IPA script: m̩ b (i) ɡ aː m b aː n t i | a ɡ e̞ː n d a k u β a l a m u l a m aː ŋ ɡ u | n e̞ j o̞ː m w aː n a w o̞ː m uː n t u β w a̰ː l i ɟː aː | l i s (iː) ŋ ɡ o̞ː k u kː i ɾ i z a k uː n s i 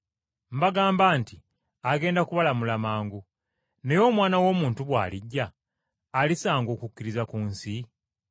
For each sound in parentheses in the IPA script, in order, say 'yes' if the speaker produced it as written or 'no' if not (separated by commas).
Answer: no, no